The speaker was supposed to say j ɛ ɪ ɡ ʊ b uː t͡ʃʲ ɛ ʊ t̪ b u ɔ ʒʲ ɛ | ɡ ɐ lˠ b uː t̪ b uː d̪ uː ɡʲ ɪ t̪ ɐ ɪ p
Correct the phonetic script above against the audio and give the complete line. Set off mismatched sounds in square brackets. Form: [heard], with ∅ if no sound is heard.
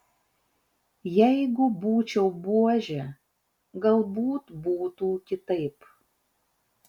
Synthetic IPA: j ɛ ɪ ɡ ʊ b uː t͡ʃʲ ɛ ʊ [∅] b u ɔ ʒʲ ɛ | ɡ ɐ lˠ b uː t̪ b uː [t̪] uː [kʲ] ɪ t̪ ɐ ɪ p